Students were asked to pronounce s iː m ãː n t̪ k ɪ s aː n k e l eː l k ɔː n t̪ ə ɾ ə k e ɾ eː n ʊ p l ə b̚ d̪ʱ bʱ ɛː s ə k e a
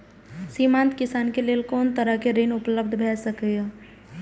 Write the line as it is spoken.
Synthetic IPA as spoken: s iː m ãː n t̪ k ɪ s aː n k e l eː l k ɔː n t̪ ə ɾ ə k e ɾ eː n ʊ p l ə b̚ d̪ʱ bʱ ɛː s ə k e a